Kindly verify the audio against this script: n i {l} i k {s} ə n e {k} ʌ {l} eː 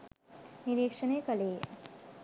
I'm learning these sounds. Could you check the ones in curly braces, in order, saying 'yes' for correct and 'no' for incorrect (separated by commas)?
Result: no, no, yes, yes